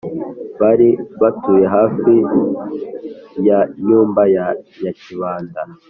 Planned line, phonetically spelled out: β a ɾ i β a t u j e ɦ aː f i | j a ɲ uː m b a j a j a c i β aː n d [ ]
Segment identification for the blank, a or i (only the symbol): a